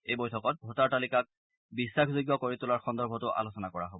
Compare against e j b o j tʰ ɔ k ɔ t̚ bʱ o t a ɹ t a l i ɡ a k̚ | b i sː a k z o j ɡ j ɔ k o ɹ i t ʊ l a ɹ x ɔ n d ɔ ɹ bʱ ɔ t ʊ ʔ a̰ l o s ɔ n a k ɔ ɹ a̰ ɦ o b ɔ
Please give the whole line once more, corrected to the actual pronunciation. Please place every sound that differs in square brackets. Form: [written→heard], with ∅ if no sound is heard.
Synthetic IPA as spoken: e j b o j tʰ ɔ k ɔ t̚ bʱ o t a ɹ t a l i [ɡ→k] a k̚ | b i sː a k z o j ɡ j ɔ k o ɹ i t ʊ l a ɹ x ɔ n d ɔ ɹ bʱ ɔ t ʊ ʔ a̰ l o s ɔ n a k ɔ ɹ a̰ ɦ o b ɔ